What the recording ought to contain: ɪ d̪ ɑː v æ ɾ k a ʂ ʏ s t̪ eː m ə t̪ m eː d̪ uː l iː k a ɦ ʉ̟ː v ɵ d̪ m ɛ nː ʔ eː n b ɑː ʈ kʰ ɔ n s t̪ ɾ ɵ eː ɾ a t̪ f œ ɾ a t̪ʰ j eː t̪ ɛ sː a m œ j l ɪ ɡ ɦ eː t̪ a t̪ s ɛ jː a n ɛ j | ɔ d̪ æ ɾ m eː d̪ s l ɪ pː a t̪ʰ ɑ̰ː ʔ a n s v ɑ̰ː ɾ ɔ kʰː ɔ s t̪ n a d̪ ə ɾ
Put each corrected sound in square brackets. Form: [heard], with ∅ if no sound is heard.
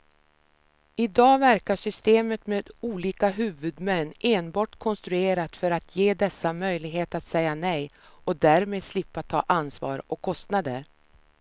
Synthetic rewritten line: ɪ d̪ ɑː v æ ɾ k a ʂ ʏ s t̪ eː m ə t̪ m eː d̪ uː l iː k a ɦ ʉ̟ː v ɵ d̪ m ɛ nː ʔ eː n b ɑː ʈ kʰ ɔ n s t̪ ɾ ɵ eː ɾ a t̪ f œ ɾ a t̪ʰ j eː [d̪] ɛ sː a m œ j l ɪ ɡ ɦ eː t̪ a t̪ s ɛ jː a n ɛ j | ɔ d̪ æ ɾ m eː d̪ s l ɪ pː a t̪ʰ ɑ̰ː ʔ a n s v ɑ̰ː ɾ ɔ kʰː ɔ s t̪ n a d̪ ə ɾ